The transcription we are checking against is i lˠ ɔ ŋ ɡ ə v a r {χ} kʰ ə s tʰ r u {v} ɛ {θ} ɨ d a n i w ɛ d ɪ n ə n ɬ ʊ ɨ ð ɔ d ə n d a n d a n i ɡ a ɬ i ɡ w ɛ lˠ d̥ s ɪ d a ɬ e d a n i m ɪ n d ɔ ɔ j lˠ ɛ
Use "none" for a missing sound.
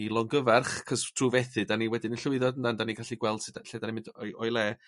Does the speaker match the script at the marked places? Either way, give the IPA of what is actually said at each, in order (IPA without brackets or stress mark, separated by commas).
χ, v, θ